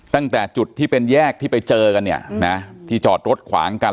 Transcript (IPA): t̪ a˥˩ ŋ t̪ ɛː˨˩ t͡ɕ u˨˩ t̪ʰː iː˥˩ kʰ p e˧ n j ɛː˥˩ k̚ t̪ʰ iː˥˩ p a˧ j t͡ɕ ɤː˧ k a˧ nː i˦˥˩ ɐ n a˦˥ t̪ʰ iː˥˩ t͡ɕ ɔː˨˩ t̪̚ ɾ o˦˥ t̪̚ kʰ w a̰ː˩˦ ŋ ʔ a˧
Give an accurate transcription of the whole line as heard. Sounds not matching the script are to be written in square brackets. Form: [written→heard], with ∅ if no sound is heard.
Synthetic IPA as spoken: t̪ a˥˩ ŋ t̪ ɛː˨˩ t͡ɕ u˨˩ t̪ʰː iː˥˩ [kʰ→∅] p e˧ n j ɛː˥˩ k̚ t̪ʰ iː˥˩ p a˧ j t͡ɕ ɤː˧ k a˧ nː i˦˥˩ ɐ n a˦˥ t̪ʰ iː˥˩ t͡ɕ ɔː˨˩ t̪̚ ɾ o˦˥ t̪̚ kʰ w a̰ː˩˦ ŋ [ʔ→k] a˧